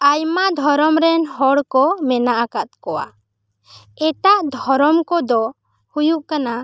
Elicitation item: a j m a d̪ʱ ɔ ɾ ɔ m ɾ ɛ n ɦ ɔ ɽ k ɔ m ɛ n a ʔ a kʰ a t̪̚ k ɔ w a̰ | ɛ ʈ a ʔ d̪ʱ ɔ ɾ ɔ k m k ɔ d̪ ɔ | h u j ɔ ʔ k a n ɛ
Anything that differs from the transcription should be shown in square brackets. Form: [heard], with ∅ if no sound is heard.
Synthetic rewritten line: a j m a d̪ʱ ɔ ɾ ɔ m ɾ ɛ n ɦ ɔ ɽ k ɔ m ɛ n a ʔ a [k] a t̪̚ k ɔ w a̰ | ɛ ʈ a ʔ d̪ʱ ɔ ɾ ɔ [∅] m k ɔ d̪ ɔ | h u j [u] ʔ k a n [a]